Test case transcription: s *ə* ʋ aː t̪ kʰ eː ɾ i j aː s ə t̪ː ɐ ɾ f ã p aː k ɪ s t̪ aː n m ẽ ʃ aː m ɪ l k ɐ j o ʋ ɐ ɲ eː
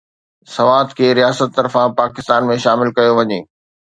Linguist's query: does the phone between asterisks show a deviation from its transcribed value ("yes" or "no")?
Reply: yes